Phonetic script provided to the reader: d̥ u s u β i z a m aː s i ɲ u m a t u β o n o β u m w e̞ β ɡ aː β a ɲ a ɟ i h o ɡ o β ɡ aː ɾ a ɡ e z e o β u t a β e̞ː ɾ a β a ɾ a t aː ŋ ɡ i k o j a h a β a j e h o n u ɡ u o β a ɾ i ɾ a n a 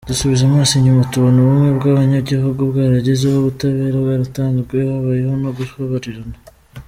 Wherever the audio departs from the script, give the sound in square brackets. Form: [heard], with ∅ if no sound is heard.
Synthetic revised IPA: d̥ u s u β i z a m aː s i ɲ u m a t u β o n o β u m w e̞ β ɡ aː β a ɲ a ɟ i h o ɡ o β ɡ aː ɾ a [ɟ] e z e o β u t a β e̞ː ɾ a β a ɾ a t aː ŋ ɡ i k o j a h a β a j e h o n [o] ɡ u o β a ɾ i ɾ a n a